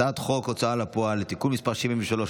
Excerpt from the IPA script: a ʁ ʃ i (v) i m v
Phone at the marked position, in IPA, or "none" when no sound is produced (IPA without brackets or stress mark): v